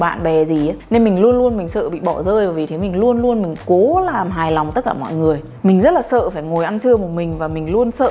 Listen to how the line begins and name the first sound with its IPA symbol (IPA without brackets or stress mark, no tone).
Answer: ɓ